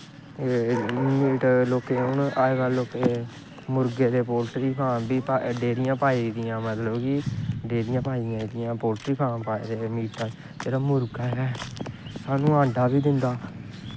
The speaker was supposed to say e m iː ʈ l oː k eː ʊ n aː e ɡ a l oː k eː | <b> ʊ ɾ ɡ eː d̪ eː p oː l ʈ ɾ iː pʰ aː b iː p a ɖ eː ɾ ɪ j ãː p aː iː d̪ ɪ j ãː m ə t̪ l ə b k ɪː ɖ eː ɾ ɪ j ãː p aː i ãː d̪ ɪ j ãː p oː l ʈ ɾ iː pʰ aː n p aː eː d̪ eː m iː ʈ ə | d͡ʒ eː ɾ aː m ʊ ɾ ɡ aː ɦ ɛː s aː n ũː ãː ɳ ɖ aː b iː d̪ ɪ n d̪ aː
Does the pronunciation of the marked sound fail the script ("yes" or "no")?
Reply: yes